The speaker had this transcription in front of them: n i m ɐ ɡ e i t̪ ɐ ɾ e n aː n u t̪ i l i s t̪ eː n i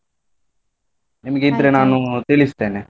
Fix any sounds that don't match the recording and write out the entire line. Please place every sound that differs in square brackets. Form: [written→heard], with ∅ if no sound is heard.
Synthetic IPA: n i m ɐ ɡ e i [t̪→d̪] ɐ ɾ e n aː n u t̪ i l i s t̪ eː n [i→e]